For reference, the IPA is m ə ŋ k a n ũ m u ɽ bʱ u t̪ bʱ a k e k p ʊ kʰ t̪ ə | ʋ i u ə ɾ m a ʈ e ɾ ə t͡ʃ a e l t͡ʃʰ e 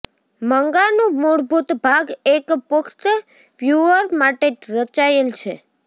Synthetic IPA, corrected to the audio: m ə ŋ ɡ a n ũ m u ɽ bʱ u t̪ bʱ a ɡ e k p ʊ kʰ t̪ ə | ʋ j u ə ɾ m a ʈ e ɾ ə t͡ʃ a e l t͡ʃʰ e